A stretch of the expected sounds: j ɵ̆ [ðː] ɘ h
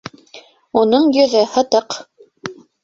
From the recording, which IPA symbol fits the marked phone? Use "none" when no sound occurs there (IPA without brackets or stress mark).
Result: ð